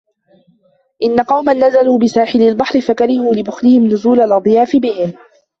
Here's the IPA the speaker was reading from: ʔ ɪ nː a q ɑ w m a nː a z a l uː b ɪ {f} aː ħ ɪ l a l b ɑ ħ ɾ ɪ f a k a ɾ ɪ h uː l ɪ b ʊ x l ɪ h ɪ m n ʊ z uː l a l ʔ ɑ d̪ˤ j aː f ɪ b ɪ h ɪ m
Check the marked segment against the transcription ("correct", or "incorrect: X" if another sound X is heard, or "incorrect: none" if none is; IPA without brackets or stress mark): incorrect: s